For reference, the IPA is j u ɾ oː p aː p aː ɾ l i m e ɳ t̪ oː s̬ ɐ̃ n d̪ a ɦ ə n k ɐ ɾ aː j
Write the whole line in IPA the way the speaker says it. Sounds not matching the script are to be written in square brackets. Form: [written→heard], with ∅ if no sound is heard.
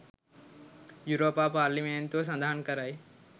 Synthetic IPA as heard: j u ɾ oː p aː p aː ɾ l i m e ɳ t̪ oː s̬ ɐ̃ n d̪ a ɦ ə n k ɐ ɾ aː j